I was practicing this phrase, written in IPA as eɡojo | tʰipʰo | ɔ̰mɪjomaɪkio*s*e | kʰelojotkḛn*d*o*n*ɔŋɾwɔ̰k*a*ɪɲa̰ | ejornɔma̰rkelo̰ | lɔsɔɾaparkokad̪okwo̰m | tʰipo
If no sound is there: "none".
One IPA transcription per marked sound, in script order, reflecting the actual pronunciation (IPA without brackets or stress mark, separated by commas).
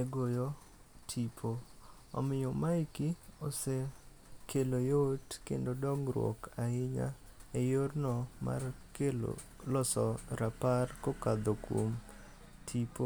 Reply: s, d, d, a